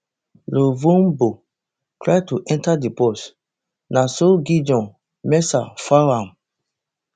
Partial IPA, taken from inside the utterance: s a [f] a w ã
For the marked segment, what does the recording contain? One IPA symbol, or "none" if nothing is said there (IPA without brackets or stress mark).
f